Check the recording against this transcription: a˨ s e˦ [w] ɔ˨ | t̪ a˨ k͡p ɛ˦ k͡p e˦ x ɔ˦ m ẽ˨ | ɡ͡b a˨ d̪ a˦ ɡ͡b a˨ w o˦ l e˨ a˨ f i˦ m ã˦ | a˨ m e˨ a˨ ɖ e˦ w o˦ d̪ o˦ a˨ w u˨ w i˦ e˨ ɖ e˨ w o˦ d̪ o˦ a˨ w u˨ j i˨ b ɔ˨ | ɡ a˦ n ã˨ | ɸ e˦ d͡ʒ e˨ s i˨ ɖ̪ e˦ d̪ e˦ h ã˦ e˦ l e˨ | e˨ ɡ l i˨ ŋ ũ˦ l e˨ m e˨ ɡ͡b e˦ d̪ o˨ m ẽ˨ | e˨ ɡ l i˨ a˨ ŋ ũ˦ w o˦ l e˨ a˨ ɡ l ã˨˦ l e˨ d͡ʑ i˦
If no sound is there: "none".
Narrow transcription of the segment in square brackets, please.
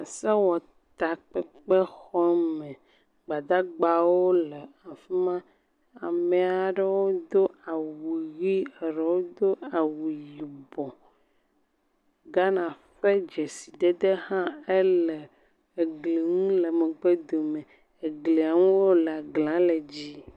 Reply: w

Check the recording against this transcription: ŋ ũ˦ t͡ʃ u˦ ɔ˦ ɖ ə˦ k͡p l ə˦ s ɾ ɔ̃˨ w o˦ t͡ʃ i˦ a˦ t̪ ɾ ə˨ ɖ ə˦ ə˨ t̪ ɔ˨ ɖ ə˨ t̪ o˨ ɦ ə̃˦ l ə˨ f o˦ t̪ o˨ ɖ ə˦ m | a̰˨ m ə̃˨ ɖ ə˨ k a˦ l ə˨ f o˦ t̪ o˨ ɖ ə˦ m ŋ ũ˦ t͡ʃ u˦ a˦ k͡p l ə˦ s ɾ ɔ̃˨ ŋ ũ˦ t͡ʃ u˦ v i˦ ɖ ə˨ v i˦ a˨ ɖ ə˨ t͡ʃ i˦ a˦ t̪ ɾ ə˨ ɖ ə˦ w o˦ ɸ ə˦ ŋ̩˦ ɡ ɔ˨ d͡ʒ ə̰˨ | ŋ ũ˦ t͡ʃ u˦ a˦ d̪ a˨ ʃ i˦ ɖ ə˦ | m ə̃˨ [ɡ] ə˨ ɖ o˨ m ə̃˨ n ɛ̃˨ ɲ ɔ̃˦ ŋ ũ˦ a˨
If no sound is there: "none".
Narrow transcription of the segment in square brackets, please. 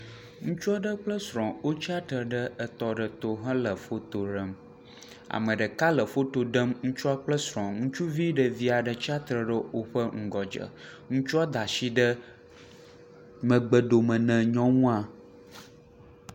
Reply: ɡ͡b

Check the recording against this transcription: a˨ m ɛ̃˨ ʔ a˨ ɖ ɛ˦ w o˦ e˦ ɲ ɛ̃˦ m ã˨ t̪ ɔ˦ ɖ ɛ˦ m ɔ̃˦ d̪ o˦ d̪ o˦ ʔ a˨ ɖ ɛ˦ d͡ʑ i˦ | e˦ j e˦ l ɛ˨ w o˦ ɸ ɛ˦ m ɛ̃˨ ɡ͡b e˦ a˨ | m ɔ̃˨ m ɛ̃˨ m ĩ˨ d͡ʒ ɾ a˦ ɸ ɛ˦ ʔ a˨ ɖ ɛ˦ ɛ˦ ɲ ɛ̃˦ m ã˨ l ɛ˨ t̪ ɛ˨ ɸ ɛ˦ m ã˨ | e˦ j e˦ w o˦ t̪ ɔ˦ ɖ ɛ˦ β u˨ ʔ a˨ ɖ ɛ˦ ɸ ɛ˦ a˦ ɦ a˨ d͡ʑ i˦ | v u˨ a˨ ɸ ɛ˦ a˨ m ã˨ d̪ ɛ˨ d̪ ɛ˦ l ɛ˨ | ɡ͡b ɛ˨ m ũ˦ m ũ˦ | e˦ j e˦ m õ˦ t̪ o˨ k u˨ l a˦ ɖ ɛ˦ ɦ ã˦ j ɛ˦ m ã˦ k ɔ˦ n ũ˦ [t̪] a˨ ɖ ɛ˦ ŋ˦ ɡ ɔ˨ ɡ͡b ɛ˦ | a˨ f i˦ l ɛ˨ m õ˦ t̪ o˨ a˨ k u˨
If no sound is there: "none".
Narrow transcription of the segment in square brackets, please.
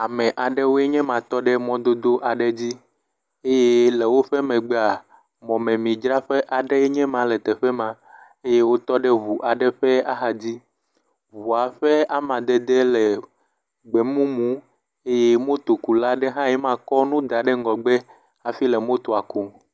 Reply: d̪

